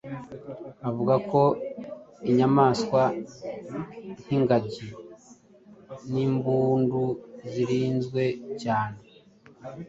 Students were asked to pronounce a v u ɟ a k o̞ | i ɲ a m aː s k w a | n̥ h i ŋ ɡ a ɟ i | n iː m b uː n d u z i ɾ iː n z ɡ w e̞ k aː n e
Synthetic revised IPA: a v u ɡ a k o̞ | i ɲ a m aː s k w a | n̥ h i ŋ ɡ a ɟ i | n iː m b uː n d u z i ɾ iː n z ɡ w e̞ c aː n e

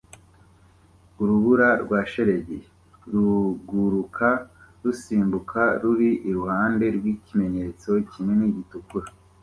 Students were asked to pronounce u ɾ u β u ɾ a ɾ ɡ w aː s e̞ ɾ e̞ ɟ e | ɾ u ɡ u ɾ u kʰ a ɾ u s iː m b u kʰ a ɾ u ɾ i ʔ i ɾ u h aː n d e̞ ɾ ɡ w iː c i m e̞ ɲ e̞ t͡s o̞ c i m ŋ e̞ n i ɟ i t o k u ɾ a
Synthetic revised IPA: u ɾ u β u ɾ a ɾ ɡ w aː ʃ e̞ ɾ e̞ ɟ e | ɾ u ɡ u ɾ u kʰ a ɾ u s iː m b u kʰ a ɾ u ɾ i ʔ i ɾ u h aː n d e̞ ɾ ɡ w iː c i m e̞ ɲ e̞ t͡s o̞ c i m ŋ e̞ n i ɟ i t u k u ɾ a

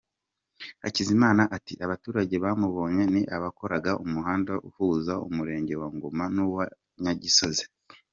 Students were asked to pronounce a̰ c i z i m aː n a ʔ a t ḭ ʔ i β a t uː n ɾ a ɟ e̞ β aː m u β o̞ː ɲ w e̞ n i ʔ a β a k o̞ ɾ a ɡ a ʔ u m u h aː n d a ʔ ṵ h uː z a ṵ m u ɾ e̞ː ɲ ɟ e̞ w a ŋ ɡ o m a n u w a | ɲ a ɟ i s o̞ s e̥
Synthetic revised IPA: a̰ c i z i m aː n a ʔ a t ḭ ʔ a β a t uː ɾ a ɟ e̞ β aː m u β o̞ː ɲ w e̞ n i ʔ a β a k o̞ ɾ a ɡ a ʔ u m u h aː n d a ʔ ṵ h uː z a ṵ m u ɾ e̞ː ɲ ɟ e̞ w a ŋ ɡ o m a n u w a | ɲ a ɟ i s o̞ z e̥

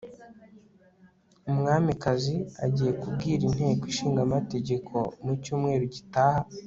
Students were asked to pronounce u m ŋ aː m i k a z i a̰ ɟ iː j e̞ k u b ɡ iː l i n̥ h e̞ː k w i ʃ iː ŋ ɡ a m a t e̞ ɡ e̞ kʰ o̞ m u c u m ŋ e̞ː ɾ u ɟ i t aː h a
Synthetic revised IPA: u m ŋ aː m i k a z i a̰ ɟ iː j e̞ k u b ɡ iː ɾ i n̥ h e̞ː k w i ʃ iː ŋ ɡ a m a t e̞ ɟ e̞ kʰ o̞ m u c uː m ŋ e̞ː ɾ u ɟ i t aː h a

